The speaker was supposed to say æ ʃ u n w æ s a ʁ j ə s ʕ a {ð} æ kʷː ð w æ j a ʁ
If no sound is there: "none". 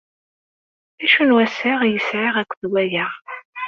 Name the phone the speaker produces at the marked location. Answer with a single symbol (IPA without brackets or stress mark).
ʁ